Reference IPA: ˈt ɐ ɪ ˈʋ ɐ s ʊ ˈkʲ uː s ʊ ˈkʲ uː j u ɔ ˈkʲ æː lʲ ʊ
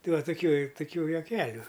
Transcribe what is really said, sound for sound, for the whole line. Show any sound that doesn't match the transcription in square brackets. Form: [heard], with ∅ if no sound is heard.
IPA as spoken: ˈt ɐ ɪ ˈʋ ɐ [t] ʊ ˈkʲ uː [t] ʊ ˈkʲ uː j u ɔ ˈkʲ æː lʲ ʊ